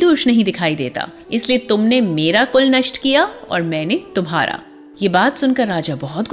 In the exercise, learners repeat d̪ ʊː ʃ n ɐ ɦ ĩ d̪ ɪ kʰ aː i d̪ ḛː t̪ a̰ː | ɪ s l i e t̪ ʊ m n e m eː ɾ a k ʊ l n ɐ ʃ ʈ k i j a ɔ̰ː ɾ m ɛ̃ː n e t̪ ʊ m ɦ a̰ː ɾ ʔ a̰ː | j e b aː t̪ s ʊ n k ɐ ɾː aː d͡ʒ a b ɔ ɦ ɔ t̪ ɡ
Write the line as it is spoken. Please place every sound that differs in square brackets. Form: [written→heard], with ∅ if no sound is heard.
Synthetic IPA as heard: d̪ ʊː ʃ n ɐ ɦ ĩ d̪ ɪ kʰ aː i d̪ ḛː t̪ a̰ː | ɪ s l i e t̪ ʊ m n e m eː ɾ a k ʊ l n ɐ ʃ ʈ k i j a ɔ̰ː ɾ m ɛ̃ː n e t̪ ʊ m ɦ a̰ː ɾ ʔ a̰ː | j e b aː t̪ s ʊ n k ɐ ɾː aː d͡ʒ a b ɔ ɦ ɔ t̪ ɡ